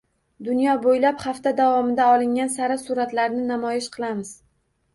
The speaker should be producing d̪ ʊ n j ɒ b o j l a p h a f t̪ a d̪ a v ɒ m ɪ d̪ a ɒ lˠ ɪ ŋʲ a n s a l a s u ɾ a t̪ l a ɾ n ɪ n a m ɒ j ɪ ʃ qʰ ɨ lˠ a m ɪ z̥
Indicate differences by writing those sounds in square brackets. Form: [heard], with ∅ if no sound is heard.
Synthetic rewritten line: d̪ ʊ n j ɒ b o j l a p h a f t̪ a d̪ a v ɒ m ɪ d̪ a ɒ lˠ ɪ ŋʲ a n s a [ɾ] a s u ɾ a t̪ l a ɾ n ɪ n a m ɒ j ɪ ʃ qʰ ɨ lˠ a m ɪ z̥